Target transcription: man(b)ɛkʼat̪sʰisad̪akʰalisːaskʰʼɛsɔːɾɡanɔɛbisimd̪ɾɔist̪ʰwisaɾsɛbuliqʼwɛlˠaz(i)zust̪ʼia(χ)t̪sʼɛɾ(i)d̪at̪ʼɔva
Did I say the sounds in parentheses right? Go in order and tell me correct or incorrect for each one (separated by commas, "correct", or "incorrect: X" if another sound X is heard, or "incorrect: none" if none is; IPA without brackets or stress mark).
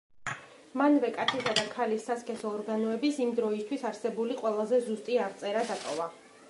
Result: incorrect: v, incorrect: ɛ, incorrect: ʁ, incorrect: a